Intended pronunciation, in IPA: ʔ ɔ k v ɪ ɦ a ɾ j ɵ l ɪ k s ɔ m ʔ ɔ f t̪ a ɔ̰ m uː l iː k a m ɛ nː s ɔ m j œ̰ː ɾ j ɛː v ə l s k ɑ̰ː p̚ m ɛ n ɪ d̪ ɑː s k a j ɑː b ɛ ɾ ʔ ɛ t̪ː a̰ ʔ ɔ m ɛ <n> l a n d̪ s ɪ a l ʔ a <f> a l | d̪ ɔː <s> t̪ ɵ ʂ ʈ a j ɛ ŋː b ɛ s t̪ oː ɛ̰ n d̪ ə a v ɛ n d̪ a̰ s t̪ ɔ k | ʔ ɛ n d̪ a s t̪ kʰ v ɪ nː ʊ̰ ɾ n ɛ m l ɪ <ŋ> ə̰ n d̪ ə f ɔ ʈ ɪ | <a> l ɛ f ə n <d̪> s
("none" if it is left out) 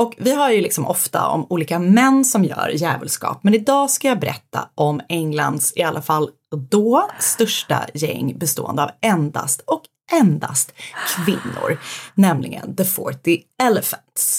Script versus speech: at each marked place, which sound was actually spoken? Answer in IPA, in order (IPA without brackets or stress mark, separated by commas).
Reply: ŋ, f, s, ɡ, ɛ, t̪